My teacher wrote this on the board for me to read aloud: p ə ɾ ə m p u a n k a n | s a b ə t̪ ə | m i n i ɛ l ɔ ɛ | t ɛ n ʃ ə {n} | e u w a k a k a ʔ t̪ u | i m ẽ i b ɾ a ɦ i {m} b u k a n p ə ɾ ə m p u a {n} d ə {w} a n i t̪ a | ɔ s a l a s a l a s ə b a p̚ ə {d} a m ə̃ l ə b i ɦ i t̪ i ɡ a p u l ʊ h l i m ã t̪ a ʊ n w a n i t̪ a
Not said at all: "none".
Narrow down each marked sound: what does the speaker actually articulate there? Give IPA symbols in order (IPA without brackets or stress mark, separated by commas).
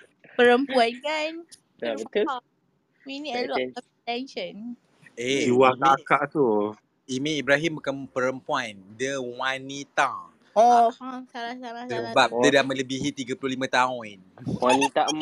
n, m, n, w, d